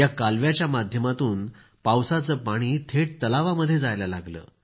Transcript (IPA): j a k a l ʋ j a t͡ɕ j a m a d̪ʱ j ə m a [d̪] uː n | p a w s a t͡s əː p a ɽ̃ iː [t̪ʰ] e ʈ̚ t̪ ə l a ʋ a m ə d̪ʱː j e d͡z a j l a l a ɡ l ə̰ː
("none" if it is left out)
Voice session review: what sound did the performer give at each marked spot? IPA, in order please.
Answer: t̪, t̪ʰ

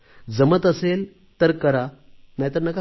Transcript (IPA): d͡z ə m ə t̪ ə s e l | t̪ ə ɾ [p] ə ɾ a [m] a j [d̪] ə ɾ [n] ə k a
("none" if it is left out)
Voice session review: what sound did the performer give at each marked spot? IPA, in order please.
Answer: k, n, t̪, n

